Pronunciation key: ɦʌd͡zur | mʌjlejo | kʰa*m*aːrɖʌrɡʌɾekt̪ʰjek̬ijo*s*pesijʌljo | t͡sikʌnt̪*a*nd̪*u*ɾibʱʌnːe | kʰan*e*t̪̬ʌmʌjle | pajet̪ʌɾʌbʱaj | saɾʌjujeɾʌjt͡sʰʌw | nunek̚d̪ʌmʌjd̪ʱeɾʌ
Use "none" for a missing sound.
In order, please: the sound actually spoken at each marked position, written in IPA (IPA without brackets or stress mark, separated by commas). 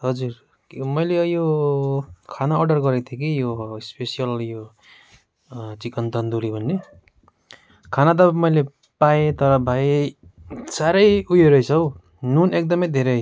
n, s, ʌ, u, a